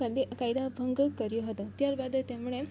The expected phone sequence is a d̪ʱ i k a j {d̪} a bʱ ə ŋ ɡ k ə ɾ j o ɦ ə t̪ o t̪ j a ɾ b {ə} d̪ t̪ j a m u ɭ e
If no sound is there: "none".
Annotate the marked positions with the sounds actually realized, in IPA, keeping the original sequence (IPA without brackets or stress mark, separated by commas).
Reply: d̪, a